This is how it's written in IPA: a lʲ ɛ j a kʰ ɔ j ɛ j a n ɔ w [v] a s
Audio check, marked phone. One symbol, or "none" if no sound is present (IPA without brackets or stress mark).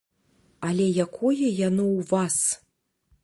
v